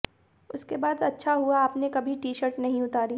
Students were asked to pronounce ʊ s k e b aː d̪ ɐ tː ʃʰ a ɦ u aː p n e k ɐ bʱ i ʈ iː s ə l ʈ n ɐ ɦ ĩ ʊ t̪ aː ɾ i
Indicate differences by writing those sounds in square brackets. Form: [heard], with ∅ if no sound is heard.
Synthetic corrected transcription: ʊ s k e b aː d̪ ɐ tː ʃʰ a ɦ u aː p n e k ɐ bʱ i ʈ iː [ʃ] ə [ɾ] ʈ n ɐ ɦ ĩ ʊ t̪ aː ɾ i